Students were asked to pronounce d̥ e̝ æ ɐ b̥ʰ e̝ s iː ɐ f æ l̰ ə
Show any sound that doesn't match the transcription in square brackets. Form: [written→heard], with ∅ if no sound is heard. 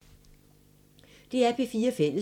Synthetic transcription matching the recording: d̥ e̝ æ ɐ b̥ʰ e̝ [s→f] iː ɐ f [æ→e] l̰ ə